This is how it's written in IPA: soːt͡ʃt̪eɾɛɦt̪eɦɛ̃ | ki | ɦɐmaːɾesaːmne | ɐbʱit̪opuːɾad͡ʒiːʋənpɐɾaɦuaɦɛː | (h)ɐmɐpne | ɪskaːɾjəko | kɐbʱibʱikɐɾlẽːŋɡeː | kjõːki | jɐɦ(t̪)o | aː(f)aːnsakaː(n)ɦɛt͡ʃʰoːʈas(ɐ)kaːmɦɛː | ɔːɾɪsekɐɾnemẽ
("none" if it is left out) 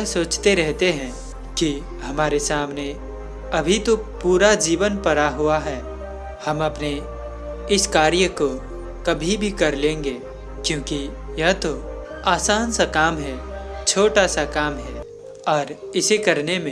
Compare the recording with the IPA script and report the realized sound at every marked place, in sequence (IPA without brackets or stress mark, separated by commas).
h, t̪, s, m, a